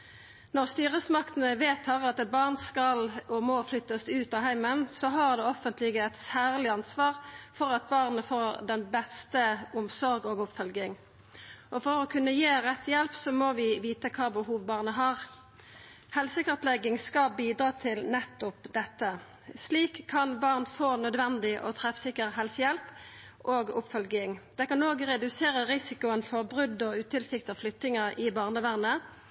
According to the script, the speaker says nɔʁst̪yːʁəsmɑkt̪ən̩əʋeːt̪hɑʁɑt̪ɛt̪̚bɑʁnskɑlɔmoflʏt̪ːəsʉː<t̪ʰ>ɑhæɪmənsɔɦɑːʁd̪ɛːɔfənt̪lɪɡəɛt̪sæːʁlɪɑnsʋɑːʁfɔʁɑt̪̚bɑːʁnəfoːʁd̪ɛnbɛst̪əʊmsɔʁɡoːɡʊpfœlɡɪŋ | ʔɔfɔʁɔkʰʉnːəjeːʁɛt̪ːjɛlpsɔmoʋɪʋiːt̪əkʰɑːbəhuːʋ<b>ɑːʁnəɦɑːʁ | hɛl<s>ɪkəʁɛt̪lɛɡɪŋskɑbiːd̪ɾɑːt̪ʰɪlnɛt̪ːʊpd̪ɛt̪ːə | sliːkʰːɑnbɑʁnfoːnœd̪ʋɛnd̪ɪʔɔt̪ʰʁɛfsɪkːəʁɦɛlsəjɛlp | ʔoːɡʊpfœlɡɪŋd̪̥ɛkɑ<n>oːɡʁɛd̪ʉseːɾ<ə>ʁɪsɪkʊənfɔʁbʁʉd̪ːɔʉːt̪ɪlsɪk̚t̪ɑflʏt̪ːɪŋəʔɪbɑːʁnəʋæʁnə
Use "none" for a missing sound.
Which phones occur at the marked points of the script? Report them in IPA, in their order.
t̪, b, s, n, ə

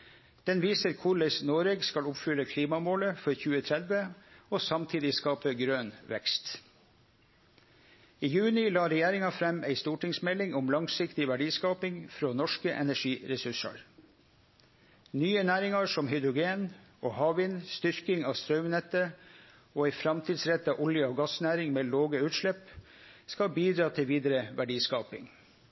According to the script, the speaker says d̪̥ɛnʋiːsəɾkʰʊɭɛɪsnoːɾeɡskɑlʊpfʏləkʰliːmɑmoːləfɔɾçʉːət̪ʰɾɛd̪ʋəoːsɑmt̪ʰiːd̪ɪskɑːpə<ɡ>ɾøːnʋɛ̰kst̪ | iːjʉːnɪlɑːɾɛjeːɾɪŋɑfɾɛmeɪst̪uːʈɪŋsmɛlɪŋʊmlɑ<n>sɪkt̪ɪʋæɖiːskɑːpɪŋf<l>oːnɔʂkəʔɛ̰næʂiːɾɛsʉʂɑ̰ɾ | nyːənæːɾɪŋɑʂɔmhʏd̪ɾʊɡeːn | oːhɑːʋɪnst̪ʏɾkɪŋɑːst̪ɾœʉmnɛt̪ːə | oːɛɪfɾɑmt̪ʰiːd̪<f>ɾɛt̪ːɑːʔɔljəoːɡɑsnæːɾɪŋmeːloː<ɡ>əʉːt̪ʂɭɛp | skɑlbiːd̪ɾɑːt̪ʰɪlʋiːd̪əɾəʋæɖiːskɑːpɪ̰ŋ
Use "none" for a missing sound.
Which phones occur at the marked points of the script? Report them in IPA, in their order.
ɡ, ŋ, ɾ, s, ɡ

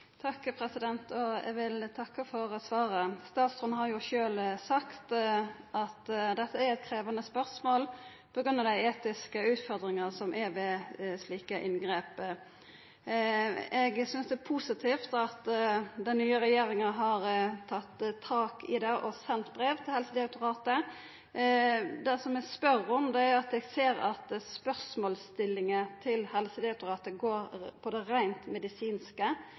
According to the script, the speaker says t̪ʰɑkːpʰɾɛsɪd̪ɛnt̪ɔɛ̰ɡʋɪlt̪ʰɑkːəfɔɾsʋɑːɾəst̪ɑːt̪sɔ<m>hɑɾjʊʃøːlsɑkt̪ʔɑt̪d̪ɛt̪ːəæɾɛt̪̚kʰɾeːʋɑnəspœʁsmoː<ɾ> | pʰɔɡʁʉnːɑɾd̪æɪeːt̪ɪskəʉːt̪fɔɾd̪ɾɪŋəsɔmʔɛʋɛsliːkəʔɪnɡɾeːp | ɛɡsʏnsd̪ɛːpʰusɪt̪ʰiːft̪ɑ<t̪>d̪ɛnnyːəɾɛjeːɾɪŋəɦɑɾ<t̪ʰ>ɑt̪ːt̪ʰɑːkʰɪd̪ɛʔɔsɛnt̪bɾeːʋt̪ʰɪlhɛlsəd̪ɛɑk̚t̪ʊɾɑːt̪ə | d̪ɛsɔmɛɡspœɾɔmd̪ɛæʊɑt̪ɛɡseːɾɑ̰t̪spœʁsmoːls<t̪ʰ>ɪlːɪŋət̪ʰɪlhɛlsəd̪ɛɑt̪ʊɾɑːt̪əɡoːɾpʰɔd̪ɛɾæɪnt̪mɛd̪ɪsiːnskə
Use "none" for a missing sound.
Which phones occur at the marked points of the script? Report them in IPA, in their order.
n, l, t̪, t̪ʰ, t̪

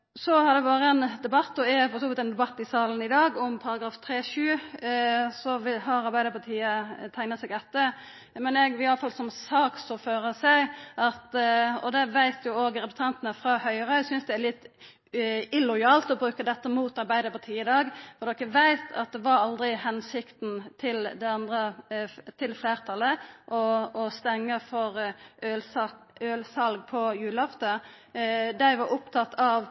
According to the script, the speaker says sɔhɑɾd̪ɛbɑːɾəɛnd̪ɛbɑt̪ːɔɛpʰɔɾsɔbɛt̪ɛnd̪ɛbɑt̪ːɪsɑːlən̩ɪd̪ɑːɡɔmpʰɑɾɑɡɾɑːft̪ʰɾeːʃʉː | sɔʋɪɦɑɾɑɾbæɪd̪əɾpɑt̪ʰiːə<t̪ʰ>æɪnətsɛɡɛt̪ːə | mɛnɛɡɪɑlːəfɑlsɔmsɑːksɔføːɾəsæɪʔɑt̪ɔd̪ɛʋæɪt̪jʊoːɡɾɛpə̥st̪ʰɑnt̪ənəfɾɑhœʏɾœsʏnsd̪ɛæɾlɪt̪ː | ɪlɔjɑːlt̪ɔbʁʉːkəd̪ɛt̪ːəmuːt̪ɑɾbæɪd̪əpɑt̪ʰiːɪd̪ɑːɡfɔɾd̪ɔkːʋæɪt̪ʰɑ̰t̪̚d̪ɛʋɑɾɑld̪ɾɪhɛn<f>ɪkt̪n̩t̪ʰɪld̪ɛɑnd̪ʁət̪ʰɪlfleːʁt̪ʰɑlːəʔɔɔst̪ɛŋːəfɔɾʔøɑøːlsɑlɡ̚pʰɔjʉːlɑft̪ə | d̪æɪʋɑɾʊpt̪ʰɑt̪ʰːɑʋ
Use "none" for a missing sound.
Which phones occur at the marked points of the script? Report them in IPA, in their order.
t̪ʰ, s

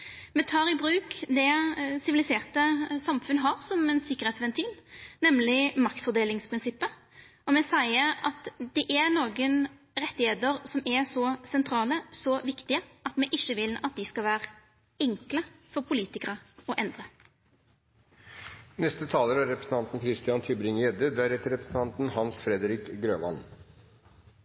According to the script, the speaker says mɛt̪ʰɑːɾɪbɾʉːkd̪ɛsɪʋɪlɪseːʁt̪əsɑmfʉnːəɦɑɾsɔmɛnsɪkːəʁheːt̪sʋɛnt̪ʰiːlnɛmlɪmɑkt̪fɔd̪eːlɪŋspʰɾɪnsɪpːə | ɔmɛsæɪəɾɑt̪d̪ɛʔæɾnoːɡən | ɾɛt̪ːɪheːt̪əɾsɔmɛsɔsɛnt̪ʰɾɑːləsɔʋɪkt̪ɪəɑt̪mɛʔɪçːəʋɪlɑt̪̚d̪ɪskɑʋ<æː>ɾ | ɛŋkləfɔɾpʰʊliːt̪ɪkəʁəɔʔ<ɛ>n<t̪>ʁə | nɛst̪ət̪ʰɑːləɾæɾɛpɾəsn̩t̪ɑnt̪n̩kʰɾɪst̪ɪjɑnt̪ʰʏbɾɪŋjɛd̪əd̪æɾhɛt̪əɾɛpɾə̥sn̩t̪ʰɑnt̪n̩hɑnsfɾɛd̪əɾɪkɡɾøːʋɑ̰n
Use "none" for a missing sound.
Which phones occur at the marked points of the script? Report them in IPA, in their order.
æː, ɛ, d̪

